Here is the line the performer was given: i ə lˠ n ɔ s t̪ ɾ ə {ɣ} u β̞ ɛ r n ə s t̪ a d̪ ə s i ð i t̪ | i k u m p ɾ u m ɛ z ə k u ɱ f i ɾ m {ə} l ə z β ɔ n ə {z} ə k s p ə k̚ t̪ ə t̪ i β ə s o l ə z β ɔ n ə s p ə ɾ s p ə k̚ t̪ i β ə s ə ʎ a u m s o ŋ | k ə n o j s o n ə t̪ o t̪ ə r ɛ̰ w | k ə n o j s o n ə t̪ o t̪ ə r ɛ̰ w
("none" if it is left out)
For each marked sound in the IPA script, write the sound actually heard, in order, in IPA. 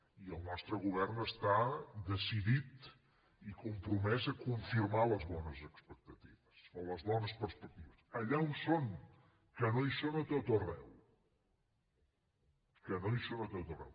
ɣ, a, z

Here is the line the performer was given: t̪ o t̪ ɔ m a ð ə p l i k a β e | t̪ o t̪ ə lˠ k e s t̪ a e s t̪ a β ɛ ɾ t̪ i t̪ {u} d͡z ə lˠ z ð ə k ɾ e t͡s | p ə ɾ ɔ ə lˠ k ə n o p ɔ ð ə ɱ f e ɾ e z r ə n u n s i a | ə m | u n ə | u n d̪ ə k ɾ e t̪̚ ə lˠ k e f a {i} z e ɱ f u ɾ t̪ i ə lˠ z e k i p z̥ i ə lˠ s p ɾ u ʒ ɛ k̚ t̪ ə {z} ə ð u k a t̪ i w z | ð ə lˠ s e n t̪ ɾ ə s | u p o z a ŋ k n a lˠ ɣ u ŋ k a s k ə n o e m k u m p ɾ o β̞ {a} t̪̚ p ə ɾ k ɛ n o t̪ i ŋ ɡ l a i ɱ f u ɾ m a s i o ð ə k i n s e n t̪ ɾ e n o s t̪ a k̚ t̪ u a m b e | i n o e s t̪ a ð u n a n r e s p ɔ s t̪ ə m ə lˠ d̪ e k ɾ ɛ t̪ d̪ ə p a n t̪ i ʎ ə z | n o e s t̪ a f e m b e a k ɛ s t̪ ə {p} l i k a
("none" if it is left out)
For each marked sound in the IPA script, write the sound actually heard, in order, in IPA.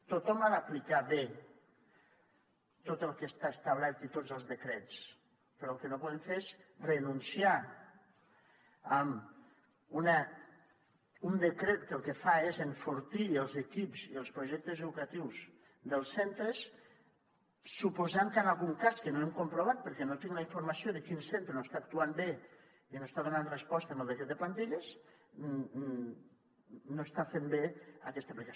o, e, z, a, p

